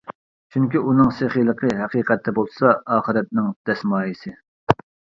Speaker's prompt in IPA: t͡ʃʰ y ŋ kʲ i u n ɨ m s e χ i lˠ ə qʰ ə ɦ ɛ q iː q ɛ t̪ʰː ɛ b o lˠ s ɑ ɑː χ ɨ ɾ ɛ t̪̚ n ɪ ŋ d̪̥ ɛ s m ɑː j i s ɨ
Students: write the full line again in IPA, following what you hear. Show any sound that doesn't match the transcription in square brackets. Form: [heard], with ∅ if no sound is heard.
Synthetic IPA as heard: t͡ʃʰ y ŋ kʲ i u n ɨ [ŋ] s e χ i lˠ ə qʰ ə ɦ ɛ q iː q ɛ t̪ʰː ɛ b o lˠ s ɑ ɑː χ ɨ ɾ ɛ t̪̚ n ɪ ŋ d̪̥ ɛ s m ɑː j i s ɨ